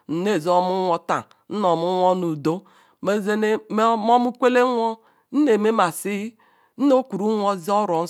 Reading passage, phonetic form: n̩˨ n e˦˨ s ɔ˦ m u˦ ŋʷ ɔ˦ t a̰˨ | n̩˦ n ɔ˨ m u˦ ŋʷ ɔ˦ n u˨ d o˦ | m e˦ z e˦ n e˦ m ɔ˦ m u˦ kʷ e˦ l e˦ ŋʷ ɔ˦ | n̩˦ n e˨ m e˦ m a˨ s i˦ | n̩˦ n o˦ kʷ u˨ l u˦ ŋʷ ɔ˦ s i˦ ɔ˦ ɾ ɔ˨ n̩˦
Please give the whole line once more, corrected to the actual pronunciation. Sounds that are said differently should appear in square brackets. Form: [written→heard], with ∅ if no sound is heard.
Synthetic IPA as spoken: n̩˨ n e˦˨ [s→z] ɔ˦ m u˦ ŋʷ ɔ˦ t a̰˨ | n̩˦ n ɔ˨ m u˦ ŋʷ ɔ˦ n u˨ d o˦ | m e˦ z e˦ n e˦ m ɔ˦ m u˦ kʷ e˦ l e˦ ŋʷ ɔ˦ | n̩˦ n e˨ m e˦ m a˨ s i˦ | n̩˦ n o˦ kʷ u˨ [l→ɾ] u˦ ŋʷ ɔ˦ [s→z] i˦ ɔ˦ ɾ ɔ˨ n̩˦

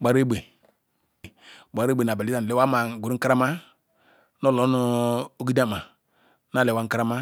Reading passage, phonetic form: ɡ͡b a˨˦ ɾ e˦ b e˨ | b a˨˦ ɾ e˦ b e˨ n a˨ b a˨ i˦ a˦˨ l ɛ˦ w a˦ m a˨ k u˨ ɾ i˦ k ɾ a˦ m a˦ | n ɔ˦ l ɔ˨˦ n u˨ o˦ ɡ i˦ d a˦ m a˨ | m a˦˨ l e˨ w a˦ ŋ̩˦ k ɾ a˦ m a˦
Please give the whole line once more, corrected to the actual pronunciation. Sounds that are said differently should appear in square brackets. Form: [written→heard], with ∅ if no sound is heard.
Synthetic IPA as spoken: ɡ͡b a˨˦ ɾ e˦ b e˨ | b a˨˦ ɾ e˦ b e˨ n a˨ b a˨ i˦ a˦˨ l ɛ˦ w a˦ m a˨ [k→ɡ] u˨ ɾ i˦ k ɾ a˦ m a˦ | n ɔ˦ l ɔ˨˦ n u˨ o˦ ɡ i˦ d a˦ m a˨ | [m→n] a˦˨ l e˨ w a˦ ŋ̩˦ k ɾ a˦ m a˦

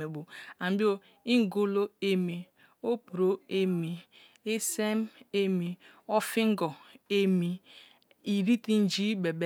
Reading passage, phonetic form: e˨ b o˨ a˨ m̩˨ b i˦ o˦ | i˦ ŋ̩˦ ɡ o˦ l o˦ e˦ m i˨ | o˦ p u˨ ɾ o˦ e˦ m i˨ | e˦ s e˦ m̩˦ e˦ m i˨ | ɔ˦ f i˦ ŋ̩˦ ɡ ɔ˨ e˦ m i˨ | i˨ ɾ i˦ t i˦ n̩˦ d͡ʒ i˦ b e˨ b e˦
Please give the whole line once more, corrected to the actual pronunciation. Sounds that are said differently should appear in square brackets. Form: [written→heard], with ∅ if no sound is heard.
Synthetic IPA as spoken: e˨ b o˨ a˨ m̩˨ b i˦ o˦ | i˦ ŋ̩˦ ɡ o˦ l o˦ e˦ m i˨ | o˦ p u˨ ɾ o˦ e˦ m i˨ | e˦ s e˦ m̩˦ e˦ m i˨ | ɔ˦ f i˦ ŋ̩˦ ɡ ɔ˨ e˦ m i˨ | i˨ ɾ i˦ t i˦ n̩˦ d͡ʒ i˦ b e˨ b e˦

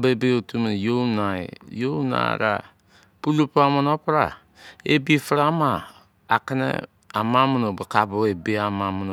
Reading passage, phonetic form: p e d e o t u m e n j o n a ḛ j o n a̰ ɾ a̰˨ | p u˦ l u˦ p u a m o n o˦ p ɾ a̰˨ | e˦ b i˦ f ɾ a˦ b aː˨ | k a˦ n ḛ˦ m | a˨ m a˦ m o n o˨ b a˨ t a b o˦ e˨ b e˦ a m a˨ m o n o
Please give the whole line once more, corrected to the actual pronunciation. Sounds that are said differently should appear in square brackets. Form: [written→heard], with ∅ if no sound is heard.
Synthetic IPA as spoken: [p→b] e [d→b] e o t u m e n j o n a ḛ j o n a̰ ɾ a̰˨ | p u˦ l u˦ p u a m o n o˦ p ɾ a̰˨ | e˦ b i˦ f ɾ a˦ [b→m] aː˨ | k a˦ n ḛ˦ [m→∅] | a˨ m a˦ m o n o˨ b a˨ [t→k] a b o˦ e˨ b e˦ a m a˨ m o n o

